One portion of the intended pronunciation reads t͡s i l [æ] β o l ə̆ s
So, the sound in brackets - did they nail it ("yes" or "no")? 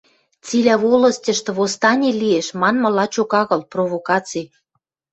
yes